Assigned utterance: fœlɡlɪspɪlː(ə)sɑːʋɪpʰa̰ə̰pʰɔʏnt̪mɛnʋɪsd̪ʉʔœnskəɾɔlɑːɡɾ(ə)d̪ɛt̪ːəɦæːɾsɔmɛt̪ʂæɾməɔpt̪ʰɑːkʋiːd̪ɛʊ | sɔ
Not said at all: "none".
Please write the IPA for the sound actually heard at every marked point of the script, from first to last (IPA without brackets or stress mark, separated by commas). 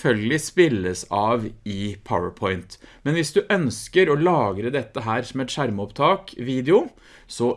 ə, ə